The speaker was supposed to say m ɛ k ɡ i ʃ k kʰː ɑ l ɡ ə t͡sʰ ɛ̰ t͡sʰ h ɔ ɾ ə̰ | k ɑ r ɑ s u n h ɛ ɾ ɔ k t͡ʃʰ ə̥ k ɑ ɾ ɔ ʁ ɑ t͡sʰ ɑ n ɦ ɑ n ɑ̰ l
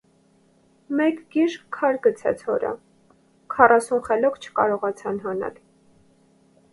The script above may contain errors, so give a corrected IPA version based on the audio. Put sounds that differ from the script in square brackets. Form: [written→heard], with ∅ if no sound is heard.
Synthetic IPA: m ɛ k ɡ i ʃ k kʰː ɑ [l→ɾ] ɡ ə t͡sʰ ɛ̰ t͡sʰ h ɔ ɾ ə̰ | [k→kʰ] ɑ r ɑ s u n [h→χ] ɛ [ɾ→l] ɔ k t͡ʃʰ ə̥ k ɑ ɾ ɔ ʁ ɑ t͡sʰ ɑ n ɦ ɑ n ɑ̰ l